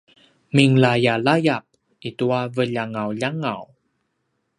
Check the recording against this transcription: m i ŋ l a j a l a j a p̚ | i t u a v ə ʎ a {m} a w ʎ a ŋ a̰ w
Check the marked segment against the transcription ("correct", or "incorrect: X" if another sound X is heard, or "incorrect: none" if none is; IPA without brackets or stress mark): incorrect: ŋ